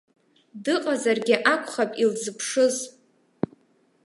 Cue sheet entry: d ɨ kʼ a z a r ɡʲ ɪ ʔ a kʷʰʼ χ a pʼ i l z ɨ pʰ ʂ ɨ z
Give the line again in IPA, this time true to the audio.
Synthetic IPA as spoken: d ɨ qʼ a z a r ɡʲ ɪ ʔ a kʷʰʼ χ a pʼ i l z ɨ pʰ ʂ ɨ z